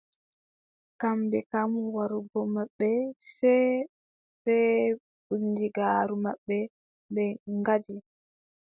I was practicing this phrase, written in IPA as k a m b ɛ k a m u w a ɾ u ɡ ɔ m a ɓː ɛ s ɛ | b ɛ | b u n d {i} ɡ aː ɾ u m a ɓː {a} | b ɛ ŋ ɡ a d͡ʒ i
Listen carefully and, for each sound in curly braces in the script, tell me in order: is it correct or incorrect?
correct, incorrect

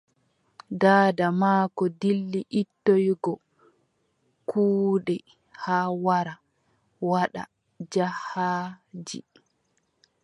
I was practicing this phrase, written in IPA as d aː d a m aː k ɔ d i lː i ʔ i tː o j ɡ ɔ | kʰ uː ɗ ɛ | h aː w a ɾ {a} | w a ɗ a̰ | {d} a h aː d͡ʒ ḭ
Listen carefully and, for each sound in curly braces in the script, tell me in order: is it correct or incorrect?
correct, incorrect

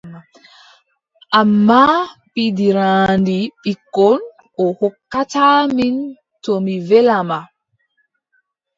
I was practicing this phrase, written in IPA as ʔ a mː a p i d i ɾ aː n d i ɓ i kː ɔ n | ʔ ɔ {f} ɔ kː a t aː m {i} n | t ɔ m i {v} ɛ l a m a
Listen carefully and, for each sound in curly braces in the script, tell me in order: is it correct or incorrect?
incorrect, correct, correct

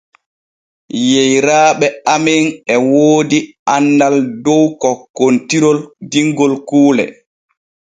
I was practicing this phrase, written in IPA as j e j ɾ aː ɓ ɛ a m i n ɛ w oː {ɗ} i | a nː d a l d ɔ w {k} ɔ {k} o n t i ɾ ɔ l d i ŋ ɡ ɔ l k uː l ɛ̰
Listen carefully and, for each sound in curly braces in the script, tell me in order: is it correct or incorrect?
incorrect, correct, correct

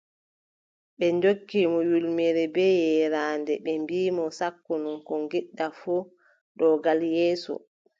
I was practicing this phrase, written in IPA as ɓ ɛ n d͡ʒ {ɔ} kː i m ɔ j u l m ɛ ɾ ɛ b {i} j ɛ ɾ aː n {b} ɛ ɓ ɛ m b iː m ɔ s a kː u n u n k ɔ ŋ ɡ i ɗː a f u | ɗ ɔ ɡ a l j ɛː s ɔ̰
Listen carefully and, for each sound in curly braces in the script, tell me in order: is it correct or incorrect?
incorrect, incorrect, incorrect

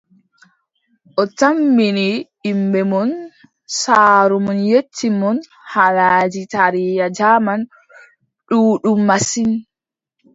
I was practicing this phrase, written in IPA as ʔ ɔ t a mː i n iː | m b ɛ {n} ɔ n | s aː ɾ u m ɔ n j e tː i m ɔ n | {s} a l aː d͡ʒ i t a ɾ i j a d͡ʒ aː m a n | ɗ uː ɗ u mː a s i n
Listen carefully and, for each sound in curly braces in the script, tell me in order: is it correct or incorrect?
incorrect, incorrect

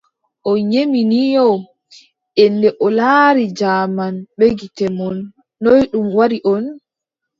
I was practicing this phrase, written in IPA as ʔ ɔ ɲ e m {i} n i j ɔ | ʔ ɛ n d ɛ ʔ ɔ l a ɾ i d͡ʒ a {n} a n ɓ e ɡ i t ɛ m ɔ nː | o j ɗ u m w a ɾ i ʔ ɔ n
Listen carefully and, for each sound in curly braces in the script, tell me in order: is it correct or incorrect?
correct, incorrect

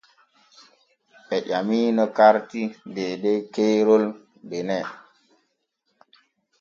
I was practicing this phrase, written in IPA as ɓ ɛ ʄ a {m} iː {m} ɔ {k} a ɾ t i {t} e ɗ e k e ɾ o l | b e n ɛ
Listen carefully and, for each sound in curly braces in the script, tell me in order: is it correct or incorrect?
correct, incorrect, correct, incorrect

